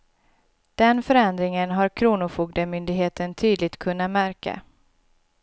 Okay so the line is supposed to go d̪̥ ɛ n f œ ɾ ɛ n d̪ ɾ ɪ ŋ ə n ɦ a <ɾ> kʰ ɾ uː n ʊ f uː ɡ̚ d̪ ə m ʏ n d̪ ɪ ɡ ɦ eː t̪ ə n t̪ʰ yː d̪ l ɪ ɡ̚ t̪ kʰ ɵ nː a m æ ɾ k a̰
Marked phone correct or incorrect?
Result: correct